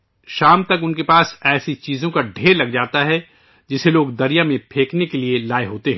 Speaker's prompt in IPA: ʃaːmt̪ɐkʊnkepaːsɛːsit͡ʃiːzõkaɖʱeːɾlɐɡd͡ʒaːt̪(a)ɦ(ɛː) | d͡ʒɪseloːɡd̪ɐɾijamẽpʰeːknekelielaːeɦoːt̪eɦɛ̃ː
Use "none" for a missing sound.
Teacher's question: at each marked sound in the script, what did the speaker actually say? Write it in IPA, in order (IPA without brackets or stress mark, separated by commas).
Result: a, ɛ